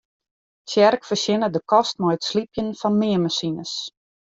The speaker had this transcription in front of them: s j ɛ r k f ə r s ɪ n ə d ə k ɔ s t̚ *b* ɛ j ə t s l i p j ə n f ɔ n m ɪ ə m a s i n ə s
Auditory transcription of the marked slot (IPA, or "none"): m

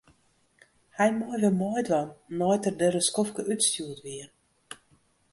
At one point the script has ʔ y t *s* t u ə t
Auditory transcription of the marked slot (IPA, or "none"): s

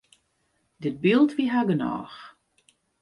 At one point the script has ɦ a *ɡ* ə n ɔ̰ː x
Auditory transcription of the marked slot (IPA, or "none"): ɡ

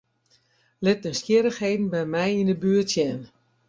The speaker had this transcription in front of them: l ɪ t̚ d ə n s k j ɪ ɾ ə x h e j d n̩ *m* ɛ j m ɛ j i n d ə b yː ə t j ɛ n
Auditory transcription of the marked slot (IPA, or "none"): b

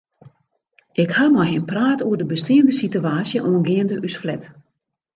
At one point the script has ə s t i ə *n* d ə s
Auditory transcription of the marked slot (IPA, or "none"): n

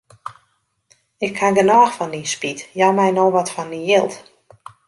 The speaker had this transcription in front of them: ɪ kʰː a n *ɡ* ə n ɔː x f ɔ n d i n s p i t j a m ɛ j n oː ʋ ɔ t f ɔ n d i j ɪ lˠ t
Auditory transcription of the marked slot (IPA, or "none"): ɡ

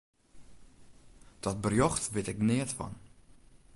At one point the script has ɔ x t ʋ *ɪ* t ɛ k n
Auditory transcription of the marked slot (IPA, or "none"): ɪ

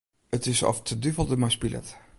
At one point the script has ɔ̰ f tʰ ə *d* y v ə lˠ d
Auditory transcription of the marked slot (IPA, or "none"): d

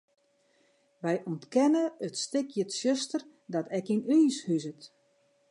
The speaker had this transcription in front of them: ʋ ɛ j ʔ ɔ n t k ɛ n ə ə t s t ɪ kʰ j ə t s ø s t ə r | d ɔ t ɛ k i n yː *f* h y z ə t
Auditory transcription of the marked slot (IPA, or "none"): s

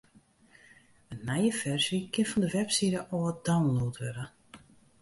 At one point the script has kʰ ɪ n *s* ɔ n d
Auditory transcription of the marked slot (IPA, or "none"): f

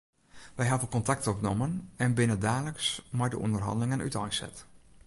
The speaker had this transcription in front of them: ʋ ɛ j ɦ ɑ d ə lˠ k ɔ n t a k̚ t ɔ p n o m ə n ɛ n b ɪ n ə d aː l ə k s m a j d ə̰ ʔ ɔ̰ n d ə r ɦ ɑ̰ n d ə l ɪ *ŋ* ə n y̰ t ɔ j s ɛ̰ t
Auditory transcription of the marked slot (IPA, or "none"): ŋ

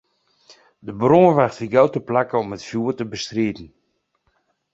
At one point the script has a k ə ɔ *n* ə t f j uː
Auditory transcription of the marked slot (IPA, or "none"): m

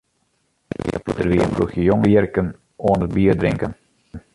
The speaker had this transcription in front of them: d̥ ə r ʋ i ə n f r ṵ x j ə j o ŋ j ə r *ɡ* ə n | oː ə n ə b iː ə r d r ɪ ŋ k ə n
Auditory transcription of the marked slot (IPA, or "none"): k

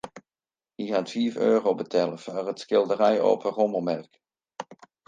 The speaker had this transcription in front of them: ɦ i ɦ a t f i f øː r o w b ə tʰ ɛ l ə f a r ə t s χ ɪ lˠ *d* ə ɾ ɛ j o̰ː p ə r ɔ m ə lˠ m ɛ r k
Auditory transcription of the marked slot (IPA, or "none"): d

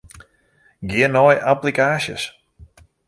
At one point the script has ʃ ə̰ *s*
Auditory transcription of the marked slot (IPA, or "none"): s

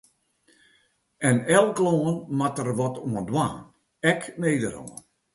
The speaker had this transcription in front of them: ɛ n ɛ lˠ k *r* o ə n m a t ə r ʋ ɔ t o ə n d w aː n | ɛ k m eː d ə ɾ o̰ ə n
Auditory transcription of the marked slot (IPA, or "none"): l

